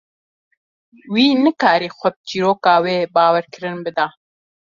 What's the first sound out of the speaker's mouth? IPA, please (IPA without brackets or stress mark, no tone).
w